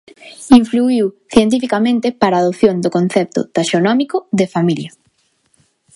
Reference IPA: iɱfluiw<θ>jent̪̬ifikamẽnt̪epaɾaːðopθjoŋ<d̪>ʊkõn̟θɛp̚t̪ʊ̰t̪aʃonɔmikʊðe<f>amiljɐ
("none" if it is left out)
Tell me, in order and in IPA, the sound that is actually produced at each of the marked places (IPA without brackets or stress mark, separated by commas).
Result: θ, d̪, f